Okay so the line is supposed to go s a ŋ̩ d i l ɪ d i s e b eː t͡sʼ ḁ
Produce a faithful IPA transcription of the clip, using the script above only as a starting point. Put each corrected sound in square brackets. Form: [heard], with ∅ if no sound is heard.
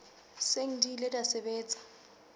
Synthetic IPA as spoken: s [e] ŋ̩ d i l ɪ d [a] s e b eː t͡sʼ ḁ